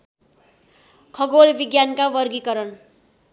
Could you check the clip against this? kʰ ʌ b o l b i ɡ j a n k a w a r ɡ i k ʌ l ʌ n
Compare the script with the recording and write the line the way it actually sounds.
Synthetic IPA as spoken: kʰ ʌ ɡ o l b i ɡ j a n k a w ʌ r ɡ i k ʌ ɾ ʌ n